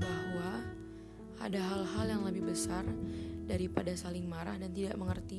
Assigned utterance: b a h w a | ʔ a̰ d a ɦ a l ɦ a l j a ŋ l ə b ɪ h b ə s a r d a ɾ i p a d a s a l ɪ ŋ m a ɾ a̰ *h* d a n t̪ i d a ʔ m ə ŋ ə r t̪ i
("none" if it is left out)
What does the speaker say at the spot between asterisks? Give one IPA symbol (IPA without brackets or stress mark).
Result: h